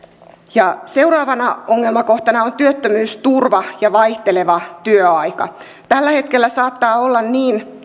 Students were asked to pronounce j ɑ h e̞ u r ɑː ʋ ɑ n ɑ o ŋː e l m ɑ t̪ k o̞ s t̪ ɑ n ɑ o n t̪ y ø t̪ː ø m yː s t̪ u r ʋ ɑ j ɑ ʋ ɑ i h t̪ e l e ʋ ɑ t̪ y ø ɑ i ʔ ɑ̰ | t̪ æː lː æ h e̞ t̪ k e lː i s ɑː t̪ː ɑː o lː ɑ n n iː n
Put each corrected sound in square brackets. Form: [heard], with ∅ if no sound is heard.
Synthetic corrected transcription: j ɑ [s] e̞ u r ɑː ʋ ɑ n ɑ o ŋː e l m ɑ [∅] k o̞ [h] t̪ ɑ n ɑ o n t̪ y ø t̪ː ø m yː s t̪ u r ʋ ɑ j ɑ ʋ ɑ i h t̪ e l e ʋ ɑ t̪ y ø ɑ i [k] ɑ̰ | t̪ [æ] lː æ h e̞ t̪ k e lː [æ] s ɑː t̪ː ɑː o lː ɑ n n iː n